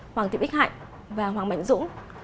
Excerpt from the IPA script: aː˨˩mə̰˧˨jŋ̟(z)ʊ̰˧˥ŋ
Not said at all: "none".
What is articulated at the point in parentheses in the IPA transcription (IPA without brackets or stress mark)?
z